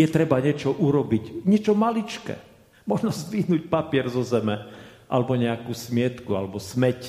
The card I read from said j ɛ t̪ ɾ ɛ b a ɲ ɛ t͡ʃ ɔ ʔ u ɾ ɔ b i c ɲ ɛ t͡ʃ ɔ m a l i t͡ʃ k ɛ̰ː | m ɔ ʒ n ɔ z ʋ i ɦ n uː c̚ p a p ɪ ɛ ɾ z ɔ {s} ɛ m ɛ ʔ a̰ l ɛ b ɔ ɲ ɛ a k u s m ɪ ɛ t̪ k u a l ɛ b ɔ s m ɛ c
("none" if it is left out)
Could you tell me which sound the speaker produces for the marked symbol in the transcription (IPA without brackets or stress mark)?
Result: z